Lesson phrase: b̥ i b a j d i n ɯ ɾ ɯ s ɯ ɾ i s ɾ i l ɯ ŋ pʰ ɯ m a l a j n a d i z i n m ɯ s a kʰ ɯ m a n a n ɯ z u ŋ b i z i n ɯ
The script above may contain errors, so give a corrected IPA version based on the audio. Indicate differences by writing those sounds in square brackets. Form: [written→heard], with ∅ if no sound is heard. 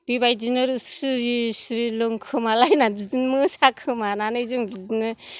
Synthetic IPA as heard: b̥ i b a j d i n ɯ ɾ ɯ s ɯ ɾ i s ɾ i l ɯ ŋ [pʰ→kʰ] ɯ m a l a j n a [d→b] i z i n m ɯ s a kʰ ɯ m a n a n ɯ z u ŋ b i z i n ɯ